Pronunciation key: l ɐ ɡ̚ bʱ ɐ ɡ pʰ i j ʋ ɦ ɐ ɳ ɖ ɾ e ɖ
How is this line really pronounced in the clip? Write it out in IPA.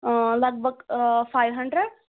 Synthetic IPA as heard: l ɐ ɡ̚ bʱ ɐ ɡ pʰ a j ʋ ɦ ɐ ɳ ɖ ɾ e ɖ